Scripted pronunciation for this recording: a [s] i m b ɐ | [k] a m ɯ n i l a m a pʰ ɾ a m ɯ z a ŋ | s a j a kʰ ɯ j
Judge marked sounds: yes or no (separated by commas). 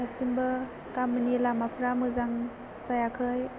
yes, yes